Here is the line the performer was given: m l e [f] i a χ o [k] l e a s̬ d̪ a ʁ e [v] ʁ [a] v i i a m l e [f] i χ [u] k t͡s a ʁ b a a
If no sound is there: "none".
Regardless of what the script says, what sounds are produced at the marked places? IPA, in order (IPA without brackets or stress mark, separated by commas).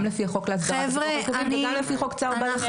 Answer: f, k, v, e, f, o